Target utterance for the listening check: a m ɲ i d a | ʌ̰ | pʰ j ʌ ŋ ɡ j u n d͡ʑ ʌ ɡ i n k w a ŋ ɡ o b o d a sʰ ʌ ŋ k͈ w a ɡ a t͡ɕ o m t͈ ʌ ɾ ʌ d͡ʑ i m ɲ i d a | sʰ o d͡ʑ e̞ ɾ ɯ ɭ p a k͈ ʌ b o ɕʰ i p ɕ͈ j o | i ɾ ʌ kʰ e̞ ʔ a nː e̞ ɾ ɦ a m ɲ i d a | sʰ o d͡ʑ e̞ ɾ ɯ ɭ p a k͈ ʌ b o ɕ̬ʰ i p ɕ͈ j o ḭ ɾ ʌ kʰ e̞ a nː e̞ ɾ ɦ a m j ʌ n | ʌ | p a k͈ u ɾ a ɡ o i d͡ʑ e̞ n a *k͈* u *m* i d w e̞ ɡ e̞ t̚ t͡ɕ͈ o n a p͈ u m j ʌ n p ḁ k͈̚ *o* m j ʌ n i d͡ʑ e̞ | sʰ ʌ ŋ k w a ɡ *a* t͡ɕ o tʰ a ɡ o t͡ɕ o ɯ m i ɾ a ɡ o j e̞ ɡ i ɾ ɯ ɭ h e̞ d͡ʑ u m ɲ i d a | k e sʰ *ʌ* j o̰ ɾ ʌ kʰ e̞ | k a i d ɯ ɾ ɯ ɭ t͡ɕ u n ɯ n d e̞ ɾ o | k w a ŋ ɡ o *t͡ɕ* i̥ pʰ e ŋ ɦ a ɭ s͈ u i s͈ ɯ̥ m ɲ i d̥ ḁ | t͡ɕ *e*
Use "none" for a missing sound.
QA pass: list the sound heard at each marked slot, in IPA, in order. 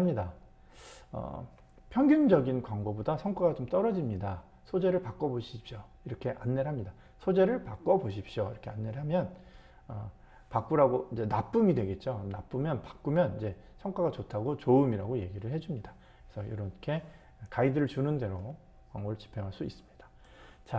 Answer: p͈, m, u, a, ʌ, t͡ɕ, a

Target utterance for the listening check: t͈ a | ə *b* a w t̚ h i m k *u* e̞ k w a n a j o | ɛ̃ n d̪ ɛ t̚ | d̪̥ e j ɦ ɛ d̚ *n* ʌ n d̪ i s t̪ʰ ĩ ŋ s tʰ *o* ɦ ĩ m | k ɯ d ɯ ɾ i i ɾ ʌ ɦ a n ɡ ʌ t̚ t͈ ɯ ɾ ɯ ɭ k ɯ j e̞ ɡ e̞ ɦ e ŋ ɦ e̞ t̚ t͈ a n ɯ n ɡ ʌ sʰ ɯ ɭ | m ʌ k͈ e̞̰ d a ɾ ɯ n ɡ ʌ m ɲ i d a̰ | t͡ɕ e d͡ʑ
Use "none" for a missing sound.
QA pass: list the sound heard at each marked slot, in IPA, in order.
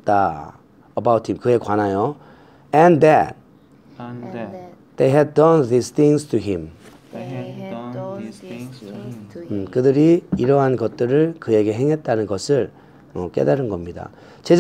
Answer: b, ɯ, d, u

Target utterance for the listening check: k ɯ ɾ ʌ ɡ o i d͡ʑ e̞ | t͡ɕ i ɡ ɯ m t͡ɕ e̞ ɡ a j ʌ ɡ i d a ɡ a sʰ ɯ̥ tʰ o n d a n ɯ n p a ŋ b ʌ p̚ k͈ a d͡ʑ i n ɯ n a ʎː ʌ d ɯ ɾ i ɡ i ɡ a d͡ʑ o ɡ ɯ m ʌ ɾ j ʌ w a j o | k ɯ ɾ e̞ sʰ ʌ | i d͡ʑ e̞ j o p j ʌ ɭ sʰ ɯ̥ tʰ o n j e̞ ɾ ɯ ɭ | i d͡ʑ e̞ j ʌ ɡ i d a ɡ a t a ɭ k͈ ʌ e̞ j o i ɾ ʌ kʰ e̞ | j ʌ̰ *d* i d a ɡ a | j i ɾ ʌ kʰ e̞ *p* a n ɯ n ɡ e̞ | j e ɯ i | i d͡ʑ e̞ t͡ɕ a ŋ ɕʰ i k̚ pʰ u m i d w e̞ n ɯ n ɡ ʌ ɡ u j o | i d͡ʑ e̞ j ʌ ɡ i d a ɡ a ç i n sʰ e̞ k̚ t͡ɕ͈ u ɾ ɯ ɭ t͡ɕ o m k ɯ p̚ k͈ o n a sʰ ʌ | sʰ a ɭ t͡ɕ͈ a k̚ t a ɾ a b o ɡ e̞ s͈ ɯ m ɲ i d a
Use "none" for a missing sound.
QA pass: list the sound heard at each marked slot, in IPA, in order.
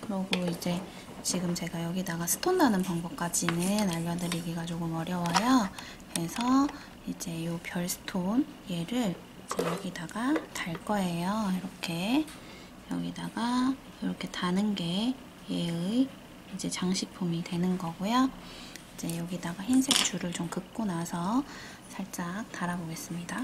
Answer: ɡ, t

